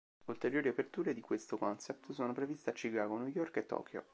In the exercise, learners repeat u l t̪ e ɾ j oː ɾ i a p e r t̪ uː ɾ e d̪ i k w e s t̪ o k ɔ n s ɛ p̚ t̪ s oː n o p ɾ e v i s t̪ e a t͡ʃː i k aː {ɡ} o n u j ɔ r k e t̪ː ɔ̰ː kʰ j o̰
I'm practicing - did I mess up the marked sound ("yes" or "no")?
no